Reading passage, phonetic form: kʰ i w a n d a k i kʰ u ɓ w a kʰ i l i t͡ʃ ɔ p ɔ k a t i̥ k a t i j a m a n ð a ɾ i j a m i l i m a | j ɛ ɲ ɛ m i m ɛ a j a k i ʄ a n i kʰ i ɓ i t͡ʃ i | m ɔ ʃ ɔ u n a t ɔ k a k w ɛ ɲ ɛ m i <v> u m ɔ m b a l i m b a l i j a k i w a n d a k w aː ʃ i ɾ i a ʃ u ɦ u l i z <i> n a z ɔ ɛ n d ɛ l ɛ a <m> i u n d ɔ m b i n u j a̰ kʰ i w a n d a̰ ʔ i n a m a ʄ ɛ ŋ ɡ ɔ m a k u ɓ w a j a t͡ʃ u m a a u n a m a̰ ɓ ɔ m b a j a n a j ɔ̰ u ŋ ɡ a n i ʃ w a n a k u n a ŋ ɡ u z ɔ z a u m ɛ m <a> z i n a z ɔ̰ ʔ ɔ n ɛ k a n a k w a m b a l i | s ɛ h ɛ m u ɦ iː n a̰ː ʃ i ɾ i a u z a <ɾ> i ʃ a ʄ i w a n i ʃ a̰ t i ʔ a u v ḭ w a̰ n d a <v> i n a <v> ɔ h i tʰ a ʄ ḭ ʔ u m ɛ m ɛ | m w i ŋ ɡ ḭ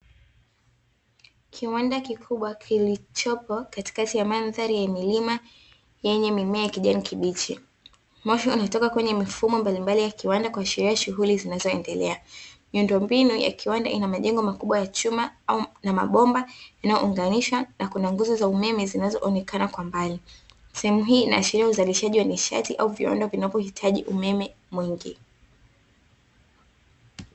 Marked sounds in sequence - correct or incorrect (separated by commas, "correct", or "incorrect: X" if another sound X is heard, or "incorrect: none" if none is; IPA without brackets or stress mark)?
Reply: incorrect: f, correct, correct, incorrect: ɛ, incorrect: l, correct, correct